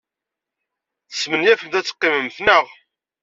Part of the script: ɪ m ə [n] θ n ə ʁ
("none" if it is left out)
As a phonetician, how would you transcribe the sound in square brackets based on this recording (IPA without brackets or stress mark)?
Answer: m